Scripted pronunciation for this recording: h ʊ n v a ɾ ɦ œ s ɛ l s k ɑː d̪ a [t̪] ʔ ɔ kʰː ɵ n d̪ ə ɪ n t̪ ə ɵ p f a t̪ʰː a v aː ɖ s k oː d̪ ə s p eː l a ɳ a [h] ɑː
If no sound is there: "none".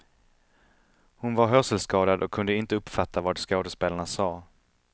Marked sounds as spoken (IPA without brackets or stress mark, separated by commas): d̪, s